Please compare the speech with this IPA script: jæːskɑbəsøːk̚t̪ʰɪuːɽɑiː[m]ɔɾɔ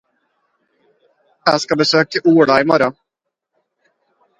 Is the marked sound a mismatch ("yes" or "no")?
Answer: no